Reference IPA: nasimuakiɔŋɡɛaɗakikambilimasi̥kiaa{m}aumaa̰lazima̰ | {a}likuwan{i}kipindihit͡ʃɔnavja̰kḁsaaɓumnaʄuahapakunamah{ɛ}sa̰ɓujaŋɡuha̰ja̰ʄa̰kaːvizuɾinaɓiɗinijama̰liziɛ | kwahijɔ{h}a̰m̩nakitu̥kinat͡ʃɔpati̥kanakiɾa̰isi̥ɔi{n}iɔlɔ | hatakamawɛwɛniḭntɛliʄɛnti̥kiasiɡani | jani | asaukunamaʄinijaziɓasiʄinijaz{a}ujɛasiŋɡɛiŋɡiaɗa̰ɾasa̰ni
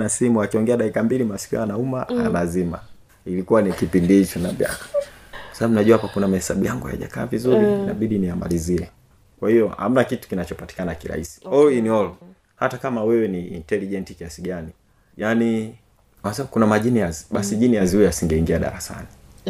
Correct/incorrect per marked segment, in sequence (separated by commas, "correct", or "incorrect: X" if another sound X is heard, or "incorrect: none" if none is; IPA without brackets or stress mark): incorrect: n, incorrect: i, correct, correct, correct, correct, incorrect: i